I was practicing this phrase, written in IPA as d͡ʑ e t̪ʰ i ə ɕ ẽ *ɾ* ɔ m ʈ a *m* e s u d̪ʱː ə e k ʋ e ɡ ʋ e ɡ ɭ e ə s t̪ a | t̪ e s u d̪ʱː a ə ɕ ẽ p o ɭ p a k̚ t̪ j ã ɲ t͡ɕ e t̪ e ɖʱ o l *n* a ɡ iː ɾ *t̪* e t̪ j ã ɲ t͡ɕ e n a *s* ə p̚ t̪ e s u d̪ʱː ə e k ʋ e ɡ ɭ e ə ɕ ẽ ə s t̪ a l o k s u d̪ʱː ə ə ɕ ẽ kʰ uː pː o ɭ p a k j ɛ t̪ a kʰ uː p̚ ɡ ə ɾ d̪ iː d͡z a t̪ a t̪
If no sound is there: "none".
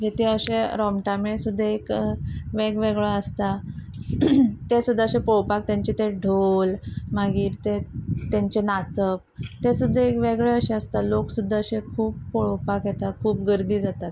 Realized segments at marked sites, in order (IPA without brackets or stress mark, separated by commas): ɾ, m, m, t̪, t͡s